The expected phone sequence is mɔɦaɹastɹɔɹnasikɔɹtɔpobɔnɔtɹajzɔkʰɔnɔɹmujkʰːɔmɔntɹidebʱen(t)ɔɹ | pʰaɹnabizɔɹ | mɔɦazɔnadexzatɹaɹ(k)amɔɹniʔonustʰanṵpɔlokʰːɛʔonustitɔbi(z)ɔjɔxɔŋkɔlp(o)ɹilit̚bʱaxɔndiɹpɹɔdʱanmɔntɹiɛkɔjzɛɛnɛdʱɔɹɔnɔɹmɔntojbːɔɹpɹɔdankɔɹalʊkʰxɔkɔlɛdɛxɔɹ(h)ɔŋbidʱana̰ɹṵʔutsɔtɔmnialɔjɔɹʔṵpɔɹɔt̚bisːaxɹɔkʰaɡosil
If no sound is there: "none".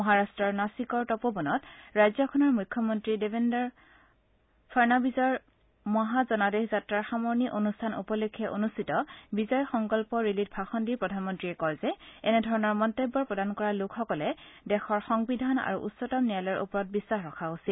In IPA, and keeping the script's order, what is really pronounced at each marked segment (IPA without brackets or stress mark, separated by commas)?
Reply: d, x, z, ɔ, x